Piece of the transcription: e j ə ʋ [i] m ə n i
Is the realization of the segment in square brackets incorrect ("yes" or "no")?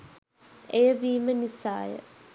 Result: yes